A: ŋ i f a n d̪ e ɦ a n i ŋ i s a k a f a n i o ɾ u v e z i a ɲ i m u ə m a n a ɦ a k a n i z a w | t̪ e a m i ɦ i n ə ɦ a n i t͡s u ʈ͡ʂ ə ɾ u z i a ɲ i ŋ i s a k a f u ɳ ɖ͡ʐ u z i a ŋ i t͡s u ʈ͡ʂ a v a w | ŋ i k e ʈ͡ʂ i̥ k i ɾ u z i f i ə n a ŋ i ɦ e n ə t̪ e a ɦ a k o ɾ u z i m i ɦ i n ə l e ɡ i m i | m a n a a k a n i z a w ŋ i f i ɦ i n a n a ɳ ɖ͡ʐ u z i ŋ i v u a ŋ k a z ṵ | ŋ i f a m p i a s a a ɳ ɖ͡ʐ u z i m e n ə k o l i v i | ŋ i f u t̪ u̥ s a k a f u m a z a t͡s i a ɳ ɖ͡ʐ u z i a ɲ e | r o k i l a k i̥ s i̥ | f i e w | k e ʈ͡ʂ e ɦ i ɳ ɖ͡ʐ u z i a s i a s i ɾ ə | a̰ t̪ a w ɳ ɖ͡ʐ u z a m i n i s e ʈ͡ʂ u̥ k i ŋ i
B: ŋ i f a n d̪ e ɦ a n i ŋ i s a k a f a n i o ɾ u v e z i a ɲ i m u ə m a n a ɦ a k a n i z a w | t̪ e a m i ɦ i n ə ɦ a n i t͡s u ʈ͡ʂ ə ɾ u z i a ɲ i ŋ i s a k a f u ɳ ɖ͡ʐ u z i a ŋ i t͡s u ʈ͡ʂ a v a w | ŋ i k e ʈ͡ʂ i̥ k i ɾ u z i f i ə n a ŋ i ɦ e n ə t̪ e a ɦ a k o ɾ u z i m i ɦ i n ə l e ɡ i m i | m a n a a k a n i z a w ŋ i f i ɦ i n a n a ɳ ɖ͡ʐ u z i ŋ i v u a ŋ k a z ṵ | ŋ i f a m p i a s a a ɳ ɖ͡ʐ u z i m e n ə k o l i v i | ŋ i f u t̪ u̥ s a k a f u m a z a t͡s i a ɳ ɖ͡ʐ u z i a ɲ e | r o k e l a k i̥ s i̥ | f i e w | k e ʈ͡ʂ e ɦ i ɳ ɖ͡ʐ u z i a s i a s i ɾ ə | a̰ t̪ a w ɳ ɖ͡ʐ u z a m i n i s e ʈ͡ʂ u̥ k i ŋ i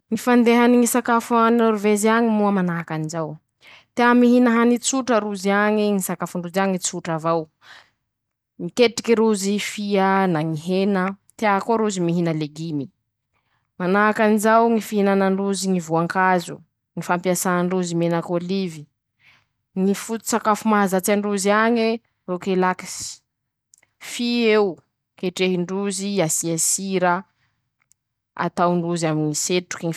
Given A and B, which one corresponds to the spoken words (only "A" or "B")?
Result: B